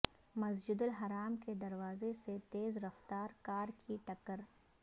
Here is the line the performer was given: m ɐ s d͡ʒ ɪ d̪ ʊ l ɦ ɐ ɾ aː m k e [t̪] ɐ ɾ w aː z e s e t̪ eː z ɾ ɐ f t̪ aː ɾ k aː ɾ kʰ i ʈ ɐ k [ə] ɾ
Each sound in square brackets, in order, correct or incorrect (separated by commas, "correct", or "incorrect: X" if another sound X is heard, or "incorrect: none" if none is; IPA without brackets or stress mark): incorrect: d̪, correct